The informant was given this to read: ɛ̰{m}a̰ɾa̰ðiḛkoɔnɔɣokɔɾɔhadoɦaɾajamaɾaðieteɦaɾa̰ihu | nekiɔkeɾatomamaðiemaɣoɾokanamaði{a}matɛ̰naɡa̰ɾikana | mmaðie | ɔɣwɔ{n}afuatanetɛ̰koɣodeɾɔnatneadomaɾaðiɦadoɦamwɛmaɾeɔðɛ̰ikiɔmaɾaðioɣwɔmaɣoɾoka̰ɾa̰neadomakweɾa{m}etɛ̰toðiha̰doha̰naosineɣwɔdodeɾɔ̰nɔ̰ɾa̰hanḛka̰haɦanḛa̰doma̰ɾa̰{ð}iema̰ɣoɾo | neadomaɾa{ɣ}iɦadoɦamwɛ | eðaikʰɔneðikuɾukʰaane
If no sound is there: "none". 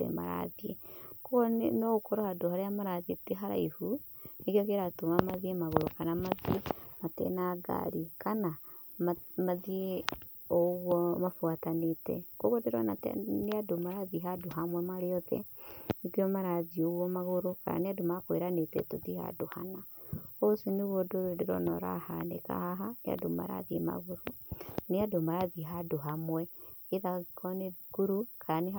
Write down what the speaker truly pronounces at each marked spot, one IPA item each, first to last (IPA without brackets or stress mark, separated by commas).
m, e, m, n, ð, ð